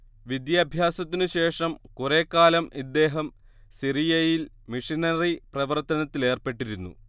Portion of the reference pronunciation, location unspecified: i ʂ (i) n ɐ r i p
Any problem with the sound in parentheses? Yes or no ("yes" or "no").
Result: no